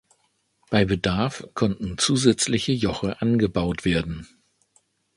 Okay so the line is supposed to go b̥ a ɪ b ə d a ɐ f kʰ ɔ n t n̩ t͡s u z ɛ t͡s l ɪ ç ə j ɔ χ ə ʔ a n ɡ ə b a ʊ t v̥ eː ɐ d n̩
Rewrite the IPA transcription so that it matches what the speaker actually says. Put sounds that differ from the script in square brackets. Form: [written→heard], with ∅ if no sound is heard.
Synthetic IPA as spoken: b̥ a ɪ b ə d a ɐ f kʰ ɔ n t n̩ t͡s [u→uː] z ɛ t͡s l ɪ ç ə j ɔ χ ə ʔ a n ɡ ə b a ʊ t v̥ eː ɐ d n̩